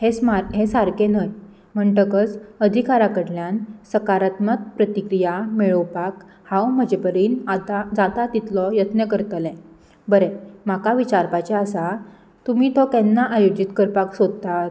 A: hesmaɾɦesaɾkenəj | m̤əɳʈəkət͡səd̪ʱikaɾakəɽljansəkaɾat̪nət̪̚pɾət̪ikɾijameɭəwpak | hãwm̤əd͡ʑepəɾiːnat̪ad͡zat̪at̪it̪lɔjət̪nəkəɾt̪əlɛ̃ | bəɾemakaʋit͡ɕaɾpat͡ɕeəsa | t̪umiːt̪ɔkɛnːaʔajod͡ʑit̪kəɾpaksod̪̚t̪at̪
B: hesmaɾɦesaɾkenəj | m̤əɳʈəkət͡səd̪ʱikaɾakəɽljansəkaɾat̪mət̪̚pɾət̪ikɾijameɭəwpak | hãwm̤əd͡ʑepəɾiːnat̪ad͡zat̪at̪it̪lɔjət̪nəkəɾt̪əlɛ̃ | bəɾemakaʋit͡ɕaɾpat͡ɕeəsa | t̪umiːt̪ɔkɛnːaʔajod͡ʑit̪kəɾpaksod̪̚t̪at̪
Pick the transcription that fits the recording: B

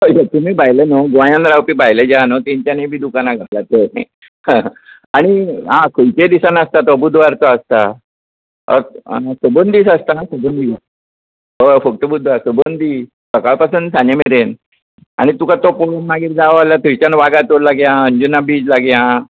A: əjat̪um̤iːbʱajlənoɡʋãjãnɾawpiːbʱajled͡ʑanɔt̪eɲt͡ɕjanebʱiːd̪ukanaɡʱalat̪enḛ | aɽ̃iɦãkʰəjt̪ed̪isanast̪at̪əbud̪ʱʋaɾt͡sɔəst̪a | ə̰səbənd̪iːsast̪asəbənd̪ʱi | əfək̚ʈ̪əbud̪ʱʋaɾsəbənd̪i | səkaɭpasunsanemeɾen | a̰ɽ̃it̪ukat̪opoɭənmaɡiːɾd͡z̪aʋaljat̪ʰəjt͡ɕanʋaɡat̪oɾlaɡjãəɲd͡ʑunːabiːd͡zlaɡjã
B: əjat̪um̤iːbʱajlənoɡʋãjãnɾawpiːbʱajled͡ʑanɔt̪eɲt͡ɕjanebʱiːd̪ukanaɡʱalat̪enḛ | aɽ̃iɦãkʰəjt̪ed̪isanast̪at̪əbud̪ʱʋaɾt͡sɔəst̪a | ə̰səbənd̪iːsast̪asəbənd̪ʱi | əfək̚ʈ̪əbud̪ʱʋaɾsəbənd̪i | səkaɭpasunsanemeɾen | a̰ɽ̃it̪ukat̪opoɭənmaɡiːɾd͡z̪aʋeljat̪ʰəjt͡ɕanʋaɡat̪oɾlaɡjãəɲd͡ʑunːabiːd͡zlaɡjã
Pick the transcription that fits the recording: A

